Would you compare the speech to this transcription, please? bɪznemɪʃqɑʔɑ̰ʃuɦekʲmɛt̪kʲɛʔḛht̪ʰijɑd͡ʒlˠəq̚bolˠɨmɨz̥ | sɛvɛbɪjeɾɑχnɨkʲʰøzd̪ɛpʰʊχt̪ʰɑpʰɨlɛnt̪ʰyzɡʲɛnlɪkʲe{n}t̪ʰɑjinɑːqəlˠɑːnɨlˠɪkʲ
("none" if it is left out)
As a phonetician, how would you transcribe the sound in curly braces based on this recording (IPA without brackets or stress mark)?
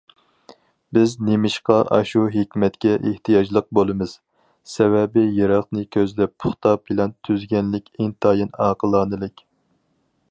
ŋ